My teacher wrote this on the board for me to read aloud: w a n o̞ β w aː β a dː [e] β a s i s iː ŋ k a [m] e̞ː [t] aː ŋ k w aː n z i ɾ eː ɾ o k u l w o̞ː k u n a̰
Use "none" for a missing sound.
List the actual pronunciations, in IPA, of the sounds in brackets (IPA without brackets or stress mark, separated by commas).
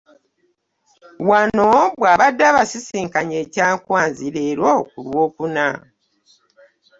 a, ɲ, c